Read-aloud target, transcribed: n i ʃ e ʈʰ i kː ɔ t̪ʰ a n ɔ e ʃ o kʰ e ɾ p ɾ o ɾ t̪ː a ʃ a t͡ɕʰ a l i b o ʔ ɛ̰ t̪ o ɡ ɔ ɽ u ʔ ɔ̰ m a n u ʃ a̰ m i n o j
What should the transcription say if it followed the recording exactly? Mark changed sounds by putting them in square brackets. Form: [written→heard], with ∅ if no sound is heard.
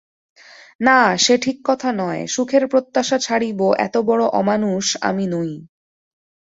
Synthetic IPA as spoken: n [i→a] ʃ e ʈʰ i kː ɔ t̪ʰ a n ɔ e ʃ [o→u] kʰ e ɾ p ɾ o [ɾ→∅] t̪ː a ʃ a t͡ɕʰ a [l→ɽ] i b o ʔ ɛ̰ t̪ o [ɡ→b] ɔ ɽ [u→o] ʔ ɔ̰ m a n u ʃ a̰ m i n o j